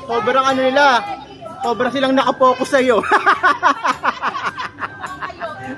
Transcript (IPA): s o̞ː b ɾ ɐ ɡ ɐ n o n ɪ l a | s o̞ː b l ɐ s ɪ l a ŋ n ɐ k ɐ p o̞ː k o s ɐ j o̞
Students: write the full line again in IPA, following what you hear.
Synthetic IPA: s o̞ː b ɾ ɐ ŋ ɐ n o n ɪ l a | s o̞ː b ɾ ɐ s ɪ l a ŋ n ɐ k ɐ p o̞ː k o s ɐ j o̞